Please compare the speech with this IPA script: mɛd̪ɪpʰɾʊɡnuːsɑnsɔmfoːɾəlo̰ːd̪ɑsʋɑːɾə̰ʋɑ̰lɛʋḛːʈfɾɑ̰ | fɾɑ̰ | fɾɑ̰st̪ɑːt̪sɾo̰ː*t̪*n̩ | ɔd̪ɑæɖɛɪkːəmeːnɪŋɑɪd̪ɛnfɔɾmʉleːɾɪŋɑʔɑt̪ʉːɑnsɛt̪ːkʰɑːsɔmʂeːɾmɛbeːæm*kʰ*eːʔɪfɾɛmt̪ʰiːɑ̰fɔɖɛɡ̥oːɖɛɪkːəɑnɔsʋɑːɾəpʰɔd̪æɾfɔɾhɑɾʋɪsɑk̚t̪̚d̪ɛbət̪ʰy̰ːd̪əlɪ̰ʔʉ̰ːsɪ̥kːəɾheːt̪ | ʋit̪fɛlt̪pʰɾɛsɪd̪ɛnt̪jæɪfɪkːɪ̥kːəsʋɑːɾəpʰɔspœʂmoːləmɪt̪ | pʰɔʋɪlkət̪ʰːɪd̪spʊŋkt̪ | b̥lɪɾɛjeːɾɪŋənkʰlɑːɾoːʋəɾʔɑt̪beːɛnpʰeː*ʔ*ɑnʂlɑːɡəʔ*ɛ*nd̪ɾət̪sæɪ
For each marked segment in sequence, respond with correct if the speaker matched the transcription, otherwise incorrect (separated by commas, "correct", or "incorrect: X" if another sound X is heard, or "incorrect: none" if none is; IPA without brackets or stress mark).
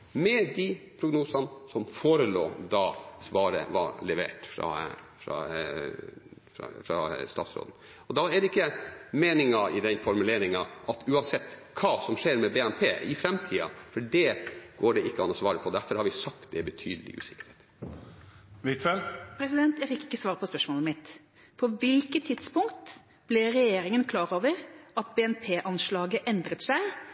incorrect: d̪, incorrect: pʰ, correct, correct